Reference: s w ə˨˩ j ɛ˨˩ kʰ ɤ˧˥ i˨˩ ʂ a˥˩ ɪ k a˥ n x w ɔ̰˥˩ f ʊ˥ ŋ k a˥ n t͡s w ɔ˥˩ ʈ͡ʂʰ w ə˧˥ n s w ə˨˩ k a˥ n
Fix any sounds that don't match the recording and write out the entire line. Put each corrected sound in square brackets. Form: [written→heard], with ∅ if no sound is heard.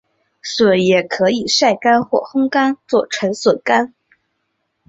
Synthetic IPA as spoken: s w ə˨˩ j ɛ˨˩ kʰ ɤ˧˥ i˨˩ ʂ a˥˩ ɪ k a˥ n x w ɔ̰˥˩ [f→x] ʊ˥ ŋ k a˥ n t͡s w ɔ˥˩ ʈ͡ʂʰ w ə˧˥ n s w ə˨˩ k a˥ n